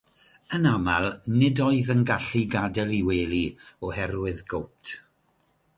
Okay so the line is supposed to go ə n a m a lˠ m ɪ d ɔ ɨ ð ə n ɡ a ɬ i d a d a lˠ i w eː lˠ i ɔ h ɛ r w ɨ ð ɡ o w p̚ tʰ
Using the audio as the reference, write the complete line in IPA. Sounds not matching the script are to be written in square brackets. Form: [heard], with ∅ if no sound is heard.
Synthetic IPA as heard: ə n a m a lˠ [n] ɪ d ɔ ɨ ð ə n ɡ a ɬ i [ɡ] a d [ɛ] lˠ i w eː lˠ i ɔ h ɛ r w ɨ ð ɡ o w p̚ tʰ